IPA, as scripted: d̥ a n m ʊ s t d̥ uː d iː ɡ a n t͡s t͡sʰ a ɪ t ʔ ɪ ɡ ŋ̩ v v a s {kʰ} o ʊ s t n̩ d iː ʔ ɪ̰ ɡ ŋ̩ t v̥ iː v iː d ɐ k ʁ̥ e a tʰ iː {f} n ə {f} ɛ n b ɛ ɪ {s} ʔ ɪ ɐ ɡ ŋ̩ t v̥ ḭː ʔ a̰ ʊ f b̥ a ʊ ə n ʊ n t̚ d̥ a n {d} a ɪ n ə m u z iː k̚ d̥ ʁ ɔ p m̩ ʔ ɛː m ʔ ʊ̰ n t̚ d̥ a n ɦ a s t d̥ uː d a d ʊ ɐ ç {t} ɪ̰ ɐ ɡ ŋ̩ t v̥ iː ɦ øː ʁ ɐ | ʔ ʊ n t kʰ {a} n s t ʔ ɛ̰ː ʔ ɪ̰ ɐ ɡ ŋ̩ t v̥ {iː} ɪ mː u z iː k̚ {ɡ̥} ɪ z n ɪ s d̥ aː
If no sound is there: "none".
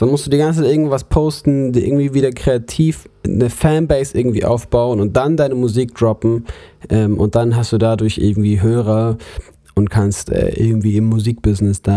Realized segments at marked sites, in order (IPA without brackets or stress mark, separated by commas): pʰ, f, f, s, d, ʔ, a, iː, b̥